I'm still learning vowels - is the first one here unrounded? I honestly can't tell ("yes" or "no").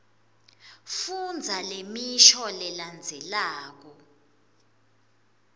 no